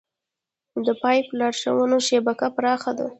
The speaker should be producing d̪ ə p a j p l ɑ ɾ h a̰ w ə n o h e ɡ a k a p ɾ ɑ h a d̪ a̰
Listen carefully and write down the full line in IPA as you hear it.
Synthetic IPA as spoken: d̪ ə p ɑ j p l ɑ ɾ ʃ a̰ w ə n o ʃ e b a k a p ɾ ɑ x a d̪ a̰